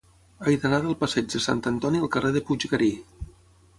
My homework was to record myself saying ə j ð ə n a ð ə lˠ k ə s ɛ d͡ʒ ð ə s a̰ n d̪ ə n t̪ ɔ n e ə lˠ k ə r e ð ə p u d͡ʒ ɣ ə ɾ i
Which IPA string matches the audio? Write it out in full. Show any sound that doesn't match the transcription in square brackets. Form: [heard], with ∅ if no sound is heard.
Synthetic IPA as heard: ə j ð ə n a ð ə lˠ [p] ə s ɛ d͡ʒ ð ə s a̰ n [t̪] ə n t̪ ɔ n [i] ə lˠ k ə r e ð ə p u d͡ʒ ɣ ə ɾ i